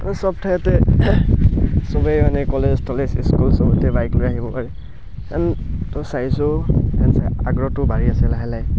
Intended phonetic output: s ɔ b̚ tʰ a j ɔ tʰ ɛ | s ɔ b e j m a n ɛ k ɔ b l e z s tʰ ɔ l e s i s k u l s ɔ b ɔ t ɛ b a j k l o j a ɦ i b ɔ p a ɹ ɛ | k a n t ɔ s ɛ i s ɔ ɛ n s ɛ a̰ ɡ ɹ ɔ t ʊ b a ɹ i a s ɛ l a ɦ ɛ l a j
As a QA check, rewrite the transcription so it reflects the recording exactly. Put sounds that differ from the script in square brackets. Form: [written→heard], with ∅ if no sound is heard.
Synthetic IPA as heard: s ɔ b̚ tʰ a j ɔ [tʰ→t] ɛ | s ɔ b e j m a n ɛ k ɔ [b→∅] l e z s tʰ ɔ l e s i s k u l s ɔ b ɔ t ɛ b a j k l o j a ɦ i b ɔ p a ɹ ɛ | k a n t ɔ s [ɛ→a] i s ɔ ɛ n s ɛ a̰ ɡ ɹ ɔ t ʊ b a ɹ i a s ɛ l a ɦ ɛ l a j

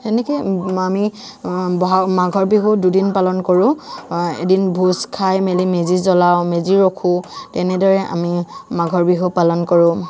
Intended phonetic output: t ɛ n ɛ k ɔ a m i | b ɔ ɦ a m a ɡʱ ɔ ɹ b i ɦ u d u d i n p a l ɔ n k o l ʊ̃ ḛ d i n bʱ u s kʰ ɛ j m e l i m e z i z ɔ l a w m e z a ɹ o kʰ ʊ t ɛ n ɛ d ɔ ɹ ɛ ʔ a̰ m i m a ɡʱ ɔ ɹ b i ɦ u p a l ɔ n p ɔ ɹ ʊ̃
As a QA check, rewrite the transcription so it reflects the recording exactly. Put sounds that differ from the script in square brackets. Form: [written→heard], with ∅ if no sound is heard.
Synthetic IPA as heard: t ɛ n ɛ k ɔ a m i | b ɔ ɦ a m a ɡʱ ɔ ɹ b i ɦ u d u d i n p a l ɔ n k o [l→ɹ] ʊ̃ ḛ d i n bʱ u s kʰ [ɛ→a] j m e l i m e z i z ɔ l a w m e z [a→i] ɹ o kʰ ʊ t ɛ n ɛ d ɔ ɹ ɛ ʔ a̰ m i m a ɡʱ ɔ ɹ b i ɦ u p a l ɔ n [p→k] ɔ ɹ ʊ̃

